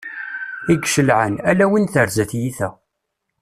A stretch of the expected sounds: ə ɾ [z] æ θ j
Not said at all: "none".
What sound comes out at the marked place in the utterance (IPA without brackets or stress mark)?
z